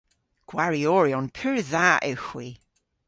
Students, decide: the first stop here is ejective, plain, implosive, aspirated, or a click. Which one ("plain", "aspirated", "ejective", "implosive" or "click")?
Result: plain